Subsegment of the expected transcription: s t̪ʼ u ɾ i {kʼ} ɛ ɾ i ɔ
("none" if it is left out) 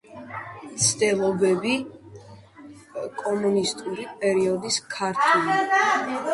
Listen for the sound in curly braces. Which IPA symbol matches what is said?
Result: pʼ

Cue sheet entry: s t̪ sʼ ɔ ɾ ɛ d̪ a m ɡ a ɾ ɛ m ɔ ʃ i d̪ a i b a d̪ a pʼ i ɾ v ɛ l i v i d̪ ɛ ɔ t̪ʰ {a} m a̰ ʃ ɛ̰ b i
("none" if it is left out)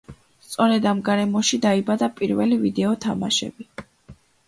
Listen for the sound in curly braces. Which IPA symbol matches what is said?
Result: a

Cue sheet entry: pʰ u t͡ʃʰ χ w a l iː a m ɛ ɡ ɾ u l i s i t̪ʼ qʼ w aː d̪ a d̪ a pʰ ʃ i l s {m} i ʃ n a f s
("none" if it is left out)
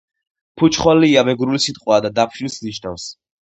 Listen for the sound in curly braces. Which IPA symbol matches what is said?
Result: n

